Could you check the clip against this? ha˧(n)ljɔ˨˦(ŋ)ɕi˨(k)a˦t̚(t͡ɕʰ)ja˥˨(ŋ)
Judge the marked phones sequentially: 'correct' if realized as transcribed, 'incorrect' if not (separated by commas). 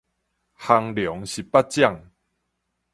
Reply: incorrect, correct, incorrect, incorrect, correct